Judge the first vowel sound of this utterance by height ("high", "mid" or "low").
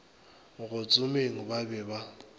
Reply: high